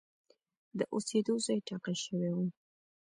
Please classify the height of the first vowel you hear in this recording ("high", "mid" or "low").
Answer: mid